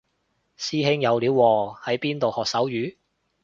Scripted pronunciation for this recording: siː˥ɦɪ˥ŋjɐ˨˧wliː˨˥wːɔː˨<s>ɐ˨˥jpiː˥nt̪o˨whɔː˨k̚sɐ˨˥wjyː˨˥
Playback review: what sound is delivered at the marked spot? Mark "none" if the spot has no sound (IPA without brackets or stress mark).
h